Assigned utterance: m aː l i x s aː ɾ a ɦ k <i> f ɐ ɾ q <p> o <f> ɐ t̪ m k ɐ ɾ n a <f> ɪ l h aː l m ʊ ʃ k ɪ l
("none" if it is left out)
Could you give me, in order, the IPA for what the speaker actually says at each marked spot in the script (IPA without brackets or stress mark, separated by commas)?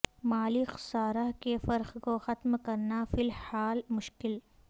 e, k, x, f